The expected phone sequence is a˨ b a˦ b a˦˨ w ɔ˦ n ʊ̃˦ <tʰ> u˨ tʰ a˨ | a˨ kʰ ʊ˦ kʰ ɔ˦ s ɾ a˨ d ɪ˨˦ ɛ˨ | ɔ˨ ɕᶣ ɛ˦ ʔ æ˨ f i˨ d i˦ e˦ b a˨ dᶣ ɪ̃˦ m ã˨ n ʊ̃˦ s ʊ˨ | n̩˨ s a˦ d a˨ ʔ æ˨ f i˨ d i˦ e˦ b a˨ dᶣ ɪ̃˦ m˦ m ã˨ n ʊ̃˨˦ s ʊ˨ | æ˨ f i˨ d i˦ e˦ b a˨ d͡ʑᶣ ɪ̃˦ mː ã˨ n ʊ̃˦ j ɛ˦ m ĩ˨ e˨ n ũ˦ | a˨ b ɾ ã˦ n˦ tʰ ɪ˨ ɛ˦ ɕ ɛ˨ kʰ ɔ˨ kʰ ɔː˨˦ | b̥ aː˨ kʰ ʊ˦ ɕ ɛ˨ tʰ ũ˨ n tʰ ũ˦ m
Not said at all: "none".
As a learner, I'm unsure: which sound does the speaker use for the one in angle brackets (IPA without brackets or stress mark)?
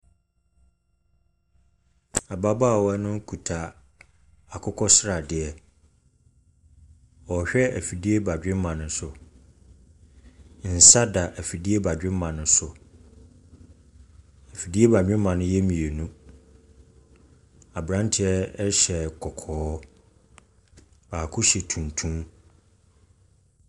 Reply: kʰ